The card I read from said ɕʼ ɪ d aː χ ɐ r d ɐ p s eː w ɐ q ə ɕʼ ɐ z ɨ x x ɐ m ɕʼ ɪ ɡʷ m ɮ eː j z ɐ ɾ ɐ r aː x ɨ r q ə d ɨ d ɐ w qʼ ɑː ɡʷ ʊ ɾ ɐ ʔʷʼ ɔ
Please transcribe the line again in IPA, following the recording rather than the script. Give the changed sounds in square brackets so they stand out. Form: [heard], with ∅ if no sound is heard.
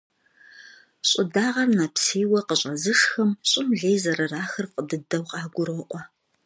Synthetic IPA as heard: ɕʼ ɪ d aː [ʁ] ɐ r [n] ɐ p s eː w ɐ q ə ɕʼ ɐ z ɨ [ʂ] x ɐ m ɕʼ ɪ [∅] m ɮ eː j z ɐ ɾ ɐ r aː x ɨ r q ə d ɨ d ɐ w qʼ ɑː ɡʷ ʊ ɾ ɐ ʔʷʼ ɔ